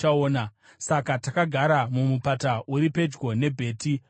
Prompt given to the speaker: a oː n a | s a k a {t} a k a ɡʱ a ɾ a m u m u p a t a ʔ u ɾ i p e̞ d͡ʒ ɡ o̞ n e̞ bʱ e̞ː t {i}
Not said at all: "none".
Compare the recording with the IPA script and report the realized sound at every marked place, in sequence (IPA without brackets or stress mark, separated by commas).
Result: t, i